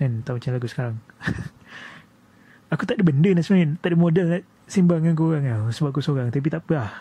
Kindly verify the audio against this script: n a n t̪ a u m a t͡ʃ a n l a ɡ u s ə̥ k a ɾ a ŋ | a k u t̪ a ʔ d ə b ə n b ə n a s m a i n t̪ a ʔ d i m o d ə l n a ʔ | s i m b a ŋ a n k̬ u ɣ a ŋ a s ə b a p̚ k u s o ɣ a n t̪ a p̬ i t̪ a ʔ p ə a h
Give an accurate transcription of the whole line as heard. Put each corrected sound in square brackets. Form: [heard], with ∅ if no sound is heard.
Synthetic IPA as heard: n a n t̪ a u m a t͡ʃ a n l a ɡ u s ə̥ k a ɾ a ŋ | a k u t̪ a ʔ d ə b ə n [d] ə n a s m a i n t̪ a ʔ d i m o d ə l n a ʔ | s i m b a ŋ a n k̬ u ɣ a ŋ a s ə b a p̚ k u s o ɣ a [ŋ] t̪ a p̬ i t̪ a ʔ p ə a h